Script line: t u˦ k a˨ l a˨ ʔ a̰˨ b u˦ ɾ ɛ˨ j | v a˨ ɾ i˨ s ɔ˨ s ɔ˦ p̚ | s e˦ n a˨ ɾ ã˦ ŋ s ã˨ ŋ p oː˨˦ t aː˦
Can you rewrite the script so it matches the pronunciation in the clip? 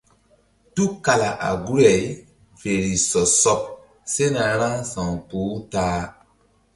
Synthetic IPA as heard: t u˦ k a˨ l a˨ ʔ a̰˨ ɡ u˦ ɾ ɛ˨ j | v e˨ ɾ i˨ s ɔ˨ s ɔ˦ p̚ | s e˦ n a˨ ɾ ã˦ ŋ s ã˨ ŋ p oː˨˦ t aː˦